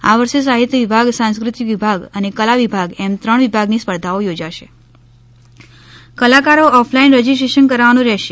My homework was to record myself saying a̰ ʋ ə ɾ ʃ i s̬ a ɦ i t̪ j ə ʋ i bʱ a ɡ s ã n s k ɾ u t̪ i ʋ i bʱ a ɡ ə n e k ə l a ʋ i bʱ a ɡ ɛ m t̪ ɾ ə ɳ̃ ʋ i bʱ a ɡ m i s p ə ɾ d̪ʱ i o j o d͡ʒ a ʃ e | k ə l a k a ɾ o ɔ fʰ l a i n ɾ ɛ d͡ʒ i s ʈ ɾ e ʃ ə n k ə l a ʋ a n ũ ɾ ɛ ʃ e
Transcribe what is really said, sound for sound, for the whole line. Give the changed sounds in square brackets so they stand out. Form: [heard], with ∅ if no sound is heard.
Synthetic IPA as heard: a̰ ʋ ə ɾ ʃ [e] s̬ a ɦ i t̪ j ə ʋ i bʱ a ɡ s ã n s k ɾ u t̪ i ʋ i bʱ a ɡ ə n e k ə l a ʋ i bʱ a ɡ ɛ m t̪ ɾ ə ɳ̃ ʋ i bʱ a ɡ [n] i s p ə ɾ d̪ʱ [a] o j o d͡ʒ a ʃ e | k ə l a k a ɾ o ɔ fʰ l a i n ɾ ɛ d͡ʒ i s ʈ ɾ e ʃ ə n k ə [ɾ] a ʋ a n ũ ɾ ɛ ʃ e